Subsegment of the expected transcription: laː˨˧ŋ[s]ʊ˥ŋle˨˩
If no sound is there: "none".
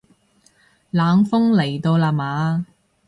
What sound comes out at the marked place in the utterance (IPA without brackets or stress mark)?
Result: f